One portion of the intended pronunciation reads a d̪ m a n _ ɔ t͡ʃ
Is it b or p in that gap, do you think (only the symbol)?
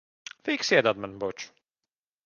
b